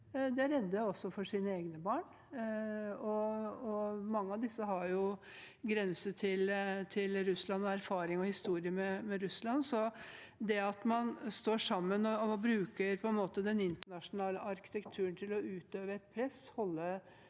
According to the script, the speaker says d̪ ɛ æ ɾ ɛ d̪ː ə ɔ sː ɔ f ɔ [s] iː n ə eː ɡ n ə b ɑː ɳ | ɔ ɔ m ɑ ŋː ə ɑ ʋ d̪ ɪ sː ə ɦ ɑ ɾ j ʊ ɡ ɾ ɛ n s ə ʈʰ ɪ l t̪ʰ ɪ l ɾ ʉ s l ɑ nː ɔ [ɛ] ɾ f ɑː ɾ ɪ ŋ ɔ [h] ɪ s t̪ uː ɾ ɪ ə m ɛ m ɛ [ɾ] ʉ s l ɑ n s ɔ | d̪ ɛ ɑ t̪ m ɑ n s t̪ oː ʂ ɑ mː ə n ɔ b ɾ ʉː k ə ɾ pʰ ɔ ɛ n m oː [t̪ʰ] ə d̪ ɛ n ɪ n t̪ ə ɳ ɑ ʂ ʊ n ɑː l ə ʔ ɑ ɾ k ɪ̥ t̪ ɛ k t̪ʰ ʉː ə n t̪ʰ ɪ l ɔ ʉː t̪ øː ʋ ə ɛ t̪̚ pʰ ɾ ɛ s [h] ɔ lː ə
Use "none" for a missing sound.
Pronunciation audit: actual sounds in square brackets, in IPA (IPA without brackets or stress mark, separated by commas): ʂ, æ, h, ɾ, t̪, h